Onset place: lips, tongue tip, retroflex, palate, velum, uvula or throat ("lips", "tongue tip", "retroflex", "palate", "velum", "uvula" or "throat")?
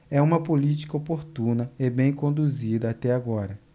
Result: lips